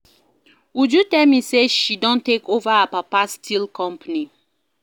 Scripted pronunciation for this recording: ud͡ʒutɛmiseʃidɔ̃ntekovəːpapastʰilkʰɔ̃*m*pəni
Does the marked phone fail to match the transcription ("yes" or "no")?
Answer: no